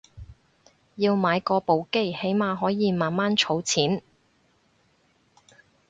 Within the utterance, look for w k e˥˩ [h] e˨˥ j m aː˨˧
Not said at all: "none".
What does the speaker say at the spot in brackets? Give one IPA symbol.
h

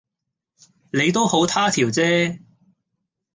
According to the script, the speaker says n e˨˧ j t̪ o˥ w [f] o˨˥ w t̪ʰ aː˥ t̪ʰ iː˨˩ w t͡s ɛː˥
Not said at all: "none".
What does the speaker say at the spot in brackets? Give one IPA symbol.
h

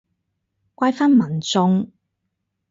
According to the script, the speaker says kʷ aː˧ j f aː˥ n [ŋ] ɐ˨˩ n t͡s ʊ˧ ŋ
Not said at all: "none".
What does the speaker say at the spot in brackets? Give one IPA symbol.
m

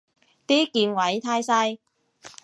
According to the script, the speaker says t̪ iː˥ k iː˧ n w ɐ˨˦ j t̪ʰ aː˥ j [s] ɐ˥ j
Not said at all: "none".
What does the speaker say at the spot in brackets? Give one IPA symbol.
s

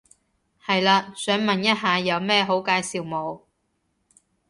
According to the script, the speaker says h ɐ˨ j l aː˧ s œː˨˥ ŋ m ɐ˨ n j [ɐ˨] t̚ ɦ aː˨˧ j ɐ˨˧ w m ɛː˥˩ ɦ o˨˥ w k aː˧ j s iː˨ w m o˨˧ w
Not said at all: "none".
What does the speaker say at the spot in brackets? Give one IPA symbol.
ɐ˥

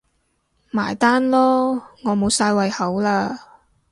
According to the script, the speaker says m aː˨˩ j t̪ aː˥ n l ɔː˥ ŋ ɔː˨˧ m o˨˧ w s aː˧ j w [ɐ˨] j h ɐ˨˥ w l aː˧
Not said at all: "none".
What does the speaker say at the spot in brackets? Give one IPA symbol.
ɐ˨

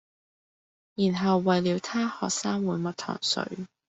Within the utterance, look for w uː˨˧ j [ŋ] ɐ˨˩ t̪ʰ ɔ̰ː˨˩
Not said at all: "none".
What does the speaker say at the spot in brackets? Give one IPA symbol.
m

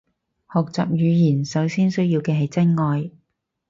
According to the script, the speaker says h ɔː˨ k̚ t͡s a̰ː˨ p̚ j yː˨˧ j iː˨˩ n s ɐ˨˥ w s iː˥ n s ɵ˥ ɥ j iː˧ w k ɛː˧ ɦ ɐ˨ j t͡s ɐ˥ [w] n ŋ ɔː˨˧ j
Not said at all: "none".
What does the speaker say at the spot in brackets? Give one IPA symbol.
none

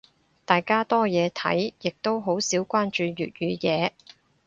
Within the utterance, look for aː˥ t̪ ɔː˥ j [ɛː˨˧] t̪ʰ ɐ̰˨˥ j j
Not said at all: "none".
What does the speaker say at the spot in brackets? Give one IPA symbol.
ɛː˨˧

